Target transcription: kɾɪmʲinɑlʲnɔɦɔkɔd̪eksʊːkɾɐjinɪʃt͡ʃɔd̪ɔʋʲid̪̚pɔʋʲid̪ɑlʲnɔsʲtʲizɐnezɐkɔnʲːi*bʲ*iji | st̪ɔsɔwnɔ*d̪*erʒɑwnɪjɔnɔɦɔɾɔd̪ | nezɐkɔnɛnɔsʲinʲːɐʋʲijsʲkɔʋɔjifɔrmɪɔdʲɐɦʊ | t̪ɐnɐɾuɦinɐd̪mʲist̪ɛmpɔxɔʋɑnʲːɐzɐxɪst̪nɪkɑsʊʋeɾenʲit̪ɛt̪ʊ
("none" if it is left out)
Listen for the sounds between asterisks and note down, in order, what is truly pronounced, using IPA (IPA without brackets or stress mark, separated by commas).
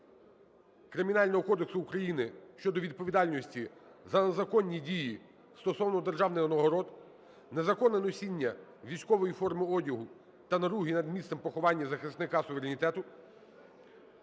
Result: dʲ, d̪